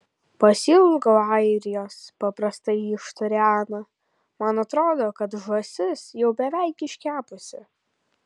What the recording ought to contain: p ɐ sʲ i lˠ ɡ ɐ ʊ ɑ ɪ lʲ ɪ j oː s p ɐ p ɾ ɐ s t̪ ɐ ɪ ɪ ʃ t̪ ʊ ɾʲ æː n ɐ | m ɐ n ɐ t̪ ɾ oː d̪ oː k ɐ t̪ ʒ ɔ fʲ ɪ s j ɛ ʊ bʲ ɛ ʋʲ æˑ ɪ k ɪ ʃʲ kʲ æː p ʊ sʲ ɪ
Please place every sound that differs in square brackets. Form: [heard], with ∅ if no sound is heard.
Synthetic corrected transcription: p ɐ sʲ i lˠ ɡ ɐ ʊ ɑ ɪ [ɾʲ] ɪ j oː s p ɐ p ɾ ɐ s t̪ ɐ ɪ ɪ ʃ t̪ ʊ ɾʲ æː n ɐ | m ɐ n ɐ t̪ ɾ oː d̪ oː k ɐ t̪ ʒ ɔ [sʲ] ɪ s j ɛ ʊ bʲ ɛ ʋʲ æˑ ɪ k ɪ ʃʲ kʲ æː p ʊ sʲ ɪ